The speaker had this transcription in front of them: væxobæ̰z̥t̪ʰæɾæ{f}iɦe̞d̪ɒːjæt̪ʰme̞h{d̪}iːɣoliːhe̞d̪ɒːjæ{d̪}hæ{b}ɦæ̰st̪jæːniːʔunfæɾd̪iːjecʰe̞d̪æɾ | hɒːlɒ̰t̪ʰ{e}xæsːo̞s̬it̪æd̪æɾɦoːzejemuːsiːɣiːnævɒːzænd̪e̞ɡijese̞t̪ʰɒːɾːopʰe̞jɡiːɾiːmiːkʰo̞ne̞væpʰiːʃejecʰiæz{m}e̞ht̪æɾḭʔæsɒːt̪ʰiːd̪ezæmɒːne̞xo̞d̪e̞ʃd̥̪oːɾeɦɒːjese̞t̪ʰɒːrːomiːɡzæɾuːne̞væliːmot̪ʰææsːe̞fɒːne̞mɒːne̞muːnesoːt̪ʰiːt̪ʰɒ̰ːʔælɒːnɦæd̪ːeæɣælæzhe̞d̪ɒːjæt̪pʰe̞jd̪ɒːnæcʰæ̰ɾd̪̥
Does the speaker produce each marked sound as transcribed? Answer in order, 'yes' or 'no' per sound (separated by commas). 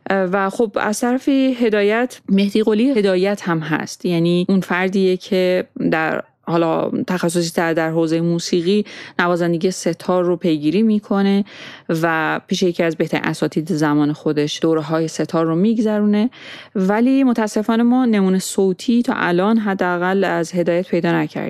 yes, yes, no, no, no, no